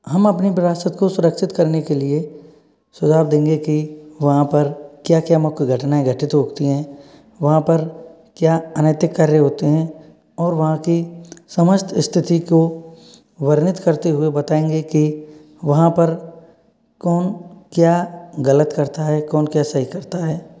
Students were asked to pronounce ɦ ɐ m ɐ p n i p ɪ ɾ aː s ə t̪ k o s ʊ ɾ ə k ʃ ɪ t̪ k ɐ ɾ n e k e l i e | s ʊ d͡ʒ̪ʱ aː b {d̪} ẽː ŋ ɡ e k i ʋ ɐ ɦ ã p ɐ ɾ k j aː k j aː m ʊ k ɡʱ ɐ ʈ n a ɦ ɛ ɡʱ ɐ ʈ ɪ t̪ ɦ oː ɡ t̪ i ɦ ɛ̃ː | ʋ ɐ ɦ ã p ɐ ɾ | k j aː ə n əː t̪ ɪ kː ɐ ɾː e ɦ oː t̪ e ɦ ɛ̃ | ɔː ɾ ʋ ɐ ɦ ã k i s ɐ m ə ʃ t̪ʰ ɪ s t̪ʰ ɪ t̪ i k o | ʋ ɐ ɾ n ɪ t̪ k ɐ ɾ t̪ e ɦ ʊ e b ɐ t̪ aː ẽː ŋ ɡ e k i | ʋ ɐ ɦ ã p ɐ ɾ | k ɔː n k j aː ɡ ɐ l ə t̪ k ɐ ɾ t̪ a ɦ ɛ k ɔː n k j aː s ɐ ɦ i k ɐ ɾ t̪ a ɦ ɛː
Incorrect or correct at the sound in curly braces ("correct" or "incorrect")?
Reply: correct